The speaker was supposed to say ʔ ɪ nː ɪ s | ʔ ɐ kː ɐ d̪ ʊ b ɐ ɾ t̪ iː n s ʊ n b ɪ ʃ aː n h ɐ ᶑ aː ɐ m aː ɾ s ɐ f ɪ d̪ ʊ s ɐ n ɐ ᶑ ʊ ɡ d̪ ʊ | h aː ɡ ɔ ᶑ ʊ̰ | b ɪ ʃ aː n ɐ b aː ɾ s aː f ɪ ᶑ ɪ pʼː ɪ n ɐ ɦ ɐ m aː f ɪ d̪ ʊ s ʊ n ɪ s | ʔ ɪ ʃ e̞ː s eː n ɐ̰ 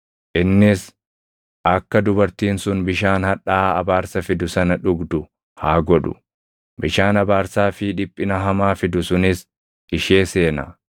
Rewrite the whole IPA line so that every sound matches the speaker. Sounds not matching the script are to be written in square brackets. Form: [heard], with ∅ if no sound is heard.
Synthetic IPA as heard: ʔ ɪ nː ɪ s | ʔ ɐ kː ɐ d̪ ʊ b ɐ ɾ t̪ iː n s ʊ n b ɪ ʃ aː n h ɐ ᶑ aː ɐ [b] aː ɾ s ɐ f ɪ d̪ ʊ s ɐ n ɐ ᶑ ʊ ɡ d̪ ʊ | h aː ɡ ɔ ᶑ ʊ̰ | b ɪ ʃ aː n ɐ b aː ɾ s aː f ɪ ᶑ ɪ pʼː ɪ n ɐ ɦ ɐ m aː f ɪ d̪ ʊ s ʊ n ɪ s | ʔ ɪ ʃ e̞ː s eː n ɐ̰